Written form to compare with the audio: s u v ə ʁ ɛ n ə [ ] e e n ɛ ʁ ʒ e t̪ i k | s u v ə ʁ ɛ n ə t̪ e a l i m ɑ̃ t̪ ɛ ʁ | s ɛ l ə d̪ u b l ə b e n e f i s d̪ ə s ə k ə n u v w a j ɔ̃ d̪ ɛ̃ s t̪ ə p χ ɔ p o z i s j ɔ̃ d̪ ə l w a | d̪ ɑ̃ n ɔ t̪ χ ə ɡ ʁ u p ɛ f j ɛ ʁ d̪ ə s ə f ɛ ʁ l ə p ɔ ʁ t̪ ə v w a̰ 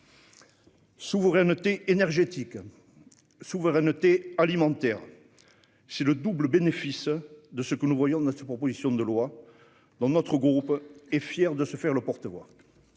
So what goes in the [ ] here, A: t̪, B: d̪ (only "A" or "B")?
A